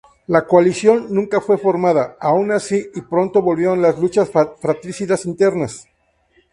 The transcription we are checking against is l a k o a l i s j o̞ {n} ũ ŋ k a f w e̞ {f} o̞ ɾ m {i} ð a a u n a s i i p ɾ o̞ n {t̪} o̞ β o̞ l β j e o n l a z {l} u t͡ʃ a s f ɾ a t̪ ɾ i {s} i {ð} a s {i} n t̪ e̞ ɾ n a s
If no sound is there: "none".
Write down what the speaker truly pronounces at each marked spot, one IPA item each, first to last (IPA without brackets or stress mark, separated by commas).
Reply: nː, f, a, t̪, l, s, ð, i